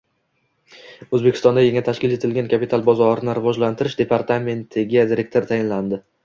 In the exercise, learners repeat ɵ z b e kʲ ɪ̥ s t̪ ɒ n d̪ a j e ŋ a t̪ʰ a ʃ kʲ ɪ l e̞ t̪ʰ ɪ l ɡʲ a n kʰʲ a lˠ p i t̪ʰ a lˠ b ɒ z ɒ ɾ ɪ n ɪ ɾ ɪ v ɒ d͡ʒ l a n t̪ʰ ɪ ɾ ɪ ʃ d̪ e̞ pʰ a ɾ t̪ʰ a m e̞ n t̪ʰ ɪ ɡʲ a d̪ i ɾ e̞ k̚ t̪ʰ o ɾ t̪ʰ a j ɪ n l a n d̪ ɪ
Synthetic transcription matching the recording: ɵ z b e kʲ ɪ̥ s t̪ ɒ n d̪ a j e ŋ a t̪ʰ a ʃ kʲ ɪ l e̞ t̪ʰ ɪ l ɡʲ a n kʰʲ a p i t̪ʰ a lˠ b ɒ z ɒ ɾ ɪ n ɪ ɾ ɪ v ɒ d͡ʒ l a n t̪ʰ ɪ ɾ ɪ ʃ d̪ e̞ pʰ a ɾ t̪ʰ a m e̞ n t̪ʰ ɪ ɡʲ a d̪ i ɾ e̞ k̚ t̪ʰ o ɾ t̪ʰ a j ɪ n l a n d̪ ɪ